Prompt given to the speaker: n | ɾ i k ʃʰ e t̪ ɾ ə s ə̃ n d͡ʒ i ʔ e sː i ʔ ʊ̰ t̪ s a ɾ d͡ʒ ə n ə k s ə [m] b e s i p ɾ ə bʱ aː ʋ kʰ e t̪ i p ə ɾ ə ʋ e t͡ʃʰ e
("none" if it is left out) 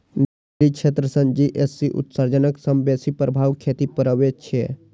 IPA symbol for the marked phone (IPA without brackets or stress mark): m